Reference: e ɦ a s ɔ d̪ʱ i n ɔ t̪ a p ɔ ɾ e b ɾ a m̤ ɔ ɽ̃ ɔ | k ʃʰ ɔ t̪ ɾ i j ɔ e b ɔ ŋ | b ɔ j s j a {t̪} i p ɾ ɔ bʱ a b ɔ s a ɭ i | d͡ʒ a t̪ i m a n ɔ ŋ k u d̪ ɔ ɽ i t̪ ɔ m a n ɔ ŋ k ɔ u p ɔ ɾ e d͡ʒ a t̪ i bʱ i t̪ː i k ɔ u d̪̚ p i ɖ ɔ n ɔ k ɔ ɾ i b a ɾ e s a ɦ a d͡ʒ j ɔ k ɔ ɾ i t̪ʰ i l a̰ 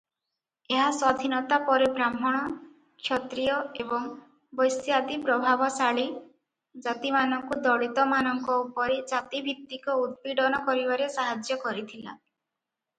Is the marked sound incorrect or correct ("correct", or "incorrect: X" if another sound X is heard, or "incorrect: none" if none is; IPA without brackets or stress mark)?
incorrect: d̪